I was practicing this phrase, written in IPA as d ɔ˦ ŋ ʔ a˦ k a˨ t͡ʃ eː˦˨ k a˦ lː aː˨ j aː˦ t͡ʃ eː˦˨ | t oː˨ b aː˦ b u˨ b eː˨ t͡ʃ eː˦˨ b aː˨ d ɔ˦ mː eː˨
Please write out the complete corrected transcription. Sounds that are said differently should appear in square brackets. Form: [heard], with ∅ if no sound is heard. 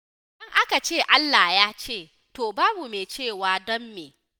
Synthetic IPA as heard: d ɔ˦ ŋ ʔ a˦ k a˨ t͡ʃ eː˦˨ [ʔ] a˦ lː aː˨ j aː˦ t͡ʃ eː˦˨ | t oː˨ b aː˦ b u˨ [m] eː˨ t͡ʃ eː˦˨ [w] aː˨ d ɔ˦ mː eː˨